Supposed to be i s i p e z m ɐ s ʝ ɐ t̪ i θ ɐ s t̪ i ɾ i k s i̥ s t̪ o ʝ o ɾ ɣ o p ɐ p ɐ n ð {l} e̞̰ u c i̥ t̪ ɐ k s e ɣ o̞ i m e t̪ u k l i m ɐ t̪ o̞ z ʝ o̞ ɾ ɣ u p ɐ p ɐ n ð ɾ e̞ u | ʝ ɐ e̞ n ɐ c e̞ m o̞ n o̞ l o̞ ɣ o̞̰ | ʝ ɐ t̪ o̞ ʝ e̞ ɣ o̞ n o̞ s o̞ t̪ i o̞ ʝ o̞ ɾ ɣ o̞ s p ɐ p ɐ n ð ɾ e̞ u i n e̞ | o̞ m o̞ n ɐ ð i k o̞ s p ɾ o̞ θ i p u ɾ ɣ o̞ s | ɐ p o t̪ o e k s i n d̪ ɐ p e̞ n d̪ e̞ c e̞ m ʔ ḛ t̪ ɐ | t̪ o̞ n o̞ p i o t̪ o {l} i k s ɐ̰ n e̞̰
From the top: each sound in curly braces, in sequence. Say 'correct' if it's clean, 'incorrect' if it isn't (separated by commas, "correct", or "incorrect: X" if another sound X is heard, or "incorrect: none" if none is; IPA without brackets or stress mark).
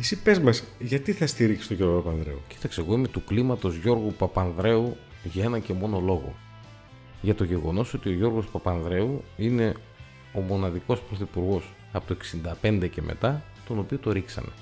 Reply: incorrect: ɾ, incorrect: ɾ